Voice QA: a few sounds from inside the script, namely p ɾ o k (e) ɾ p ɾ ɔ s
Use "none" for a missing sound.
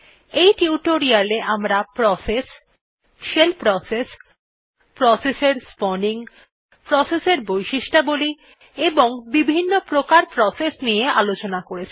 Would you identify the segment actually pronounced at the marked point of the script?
a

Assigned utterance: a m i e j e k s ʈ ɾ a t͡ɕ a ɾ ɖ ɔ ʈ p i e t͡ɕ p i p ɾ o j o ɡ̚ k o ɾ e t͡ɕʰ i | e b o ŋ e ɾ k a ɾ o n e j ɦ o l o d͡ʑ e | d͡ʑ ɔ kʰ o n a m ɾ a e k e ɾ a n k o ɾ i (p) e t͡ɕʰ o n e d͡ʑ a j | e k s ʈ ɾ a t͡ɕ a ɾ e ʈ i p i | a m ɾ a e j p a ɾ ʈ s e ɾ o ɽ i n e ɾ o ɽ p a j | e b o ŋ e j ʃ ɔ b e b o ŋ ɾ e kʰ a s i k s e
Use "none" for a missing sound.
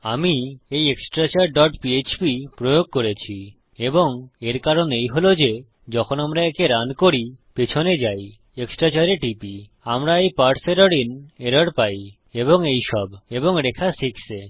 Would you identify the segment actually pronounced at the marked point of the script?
p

